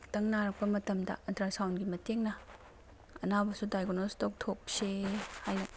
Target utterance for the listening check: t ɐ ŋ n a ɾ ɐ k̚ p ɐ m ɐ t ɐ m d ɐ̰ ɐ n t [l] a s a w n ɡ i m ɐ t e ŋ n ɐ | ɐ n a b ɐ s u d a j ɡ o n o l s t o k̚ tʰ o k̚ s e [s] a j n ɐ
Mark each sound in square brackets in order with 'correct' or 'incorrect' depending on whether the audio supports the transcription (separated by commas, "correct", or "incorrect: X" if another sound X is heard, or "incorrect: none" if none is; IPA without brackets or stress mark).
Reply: incorrect: ɾ, incorrect: h